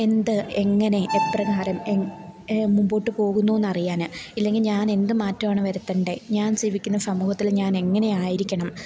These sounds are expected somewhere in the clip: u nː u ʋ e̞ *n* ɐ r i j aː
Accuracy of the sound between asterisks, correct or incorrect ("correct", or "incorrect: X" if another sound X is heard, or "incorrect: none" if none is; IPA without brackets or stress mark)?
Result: incorrect: nː